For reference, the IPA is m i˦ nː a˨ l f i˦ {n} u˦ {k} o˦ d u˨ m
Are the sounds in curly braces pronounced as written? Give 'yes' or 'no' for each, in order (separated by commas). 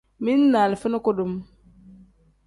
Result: yes, yes